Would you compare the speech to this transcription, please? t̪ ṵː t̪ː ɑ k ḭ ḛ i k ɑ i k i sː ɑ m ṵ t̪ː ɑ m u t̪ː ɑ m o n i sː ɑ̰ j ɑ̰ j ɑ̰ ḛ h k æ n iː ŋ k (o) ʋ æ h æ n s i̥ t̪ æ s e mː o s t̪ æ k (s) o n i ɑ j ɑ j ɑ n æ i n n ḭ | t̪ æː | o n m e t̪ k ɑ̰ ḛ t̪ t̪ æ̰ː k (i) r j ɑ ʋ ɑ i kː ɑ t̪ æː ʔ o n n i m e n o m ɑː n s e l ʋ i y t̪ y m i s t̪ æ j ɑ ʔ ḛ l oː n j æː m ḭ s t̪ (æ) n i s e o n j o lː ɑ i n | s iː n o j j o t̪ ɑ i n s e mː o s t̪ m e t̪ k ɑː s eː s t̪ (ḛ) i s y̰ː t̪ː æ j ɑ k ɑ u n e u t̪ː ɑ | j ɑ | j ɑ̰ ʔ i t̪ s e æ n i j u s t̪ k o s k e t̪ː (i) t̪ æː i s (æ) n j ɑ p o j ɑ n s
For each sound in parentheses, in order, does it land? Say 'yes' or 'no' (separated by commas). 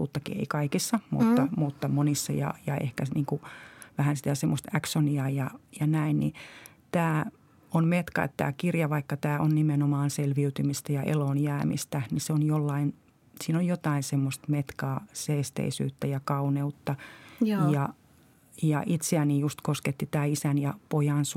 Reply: no, yes, yes, yes, yes, yes, yes